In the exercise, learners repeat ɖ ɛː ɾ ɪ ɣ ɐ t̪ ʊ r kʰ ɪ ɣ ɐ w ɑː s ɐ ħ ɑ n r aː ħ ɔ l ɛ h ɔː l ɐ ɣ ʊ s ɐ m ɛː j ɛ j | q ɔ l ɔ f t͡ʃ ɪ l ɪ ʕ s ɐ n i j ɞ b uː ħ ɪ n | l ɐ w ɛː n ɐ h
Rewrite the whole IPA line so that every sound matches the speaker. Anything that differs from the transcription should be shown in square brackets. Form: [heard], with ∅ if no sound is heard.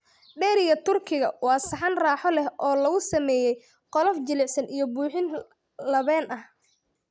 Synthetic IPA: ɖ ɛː ɾ ɪ ɣ ɐ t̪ ʊ r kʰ ɪ ɣ ɐ w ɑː s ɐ ħ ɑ n r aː ħ ɔ l ɛ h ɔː l ɐ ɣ ʊ s ɐ m ɛː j ɛ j | q ɔ l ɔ f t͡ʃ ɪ l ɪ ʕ s ɐ n i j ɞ b uː ħ ɪ n | l ɐ [β] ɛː n ɐ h

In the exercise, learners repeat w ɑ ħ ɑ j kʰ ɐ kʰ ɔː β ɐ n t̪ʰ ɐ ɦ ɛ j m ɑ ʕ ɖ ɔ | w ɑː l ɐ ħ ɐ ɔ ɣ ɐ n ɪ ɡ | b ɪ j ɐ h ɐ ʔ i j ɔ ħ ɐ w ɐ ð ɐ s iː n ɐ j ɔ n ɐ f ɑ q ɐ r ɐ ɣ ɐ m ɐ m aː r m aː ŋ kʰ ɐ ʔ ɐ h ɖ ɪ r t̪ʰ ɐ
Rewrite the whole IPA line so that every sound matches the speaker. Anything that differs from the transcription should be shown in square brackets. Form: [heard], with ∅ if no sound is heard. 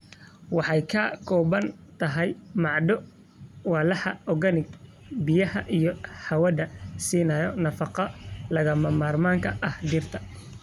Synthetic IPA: w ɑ ħ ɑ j kʰ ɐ kʰ ɔː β ɐ n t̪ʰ ɐ ɦ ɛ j m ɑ ʕ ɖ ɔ | w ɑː l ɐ ħ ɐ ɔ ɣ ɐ n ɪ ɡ | b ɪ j ɐ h ɐ ʔ i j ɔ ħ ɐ w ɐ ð ɐ s iː n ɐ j ɔ n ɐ f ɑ q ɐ [l] ɐ ɣ ɐ m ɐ m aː r m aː ŋ kʰ ɐ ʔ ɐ h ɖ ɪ r t̪ʰ ɐ

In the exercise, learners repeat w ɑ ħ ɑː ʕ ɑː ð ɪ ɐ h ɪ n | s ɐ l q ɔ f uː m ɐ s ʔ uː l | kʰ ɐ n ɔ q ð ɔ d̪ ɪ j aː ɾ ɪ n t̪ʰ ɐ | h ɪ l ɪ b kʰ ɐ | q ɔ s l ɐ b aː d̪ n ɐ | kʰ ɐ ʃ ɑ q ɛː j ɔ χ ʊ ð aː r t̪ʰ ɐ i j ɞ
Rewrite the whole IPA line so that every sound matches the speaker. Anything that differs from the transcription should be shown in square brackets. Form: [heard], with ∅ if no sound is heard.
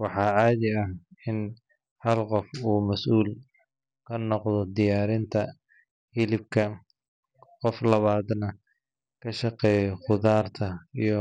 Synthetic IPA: w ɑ ħ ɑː ʕ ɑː ð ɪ ɐ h ɪ n | [h] ɐ l q ɔ f uː m ɐ s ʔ uː l | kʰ ɐ n ɔ q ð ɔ d̪ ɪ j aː ɾ ɪ n t̪ʰ ɐ | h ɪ l ɪ b kʰ ɐ | q ɔ [f] l ɐ [β] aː d̪ n ɐ | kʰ ɐ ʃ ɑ q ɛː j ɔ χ ʊ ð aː r t̪ʰ ɐ i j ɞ

